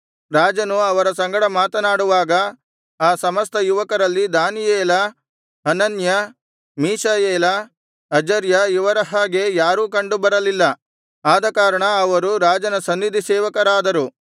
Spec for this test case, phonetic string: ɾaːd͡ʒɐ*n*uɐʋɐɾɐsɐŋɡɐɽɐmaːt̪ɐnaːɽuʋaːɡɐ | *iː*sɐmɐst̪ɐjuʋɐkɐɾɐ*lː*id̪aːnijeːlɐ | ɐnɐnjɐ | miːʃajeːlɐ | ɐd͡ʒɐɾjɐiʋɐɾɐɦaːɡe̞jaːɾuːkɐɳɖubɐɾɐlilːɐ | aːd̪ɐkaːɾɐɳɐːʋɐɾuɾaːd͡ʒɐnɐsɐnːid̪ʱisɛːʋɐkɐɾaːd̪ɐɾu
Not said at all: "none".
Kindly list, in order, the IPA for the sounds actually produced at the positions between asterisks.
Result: n, aː, lː

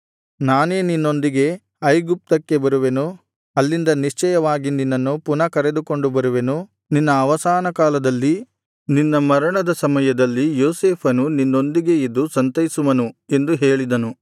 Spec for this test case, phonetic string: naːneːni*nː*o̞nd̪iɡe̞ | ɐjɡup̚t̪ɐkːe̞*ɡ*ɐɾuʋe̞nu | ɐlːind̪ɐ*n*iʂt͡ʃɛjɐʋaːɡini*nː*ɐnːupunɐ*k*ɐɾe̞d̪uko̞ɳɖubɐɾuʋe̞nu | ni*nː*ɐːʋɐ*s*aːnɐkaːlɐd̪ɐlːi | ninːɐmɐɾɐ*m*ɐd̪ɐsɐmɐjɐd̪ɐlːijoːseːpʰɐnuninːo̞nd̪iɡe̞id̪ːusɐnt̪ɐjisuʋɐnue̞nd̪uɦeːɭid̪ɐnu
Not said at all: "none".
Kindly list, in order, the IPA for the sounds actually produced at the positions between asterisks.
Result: nː, b, n, nː, k, nː, s, ɳ

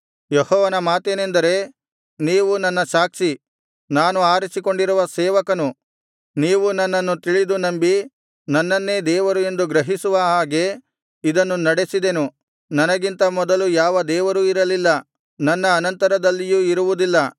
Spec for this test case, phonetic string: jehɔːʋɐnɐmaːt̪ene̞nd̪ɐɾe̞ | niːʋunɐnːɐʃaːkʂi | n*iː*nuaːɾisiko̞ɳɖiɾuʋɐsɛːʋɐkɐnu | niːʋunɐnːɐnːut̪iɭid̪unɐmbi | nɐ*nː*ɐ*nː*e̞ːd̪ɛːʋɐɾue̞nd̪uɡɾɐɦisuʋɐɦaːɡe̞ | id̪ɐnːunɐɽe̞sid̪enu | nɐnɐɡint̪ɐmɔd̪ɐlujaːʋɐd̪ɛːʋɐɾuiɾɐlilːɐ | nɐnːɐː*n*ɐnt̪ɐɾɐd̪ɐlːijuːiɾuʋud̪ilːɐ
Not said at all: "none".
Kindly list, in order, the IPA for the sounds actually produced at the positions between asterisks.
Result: aː, nː, nː, n

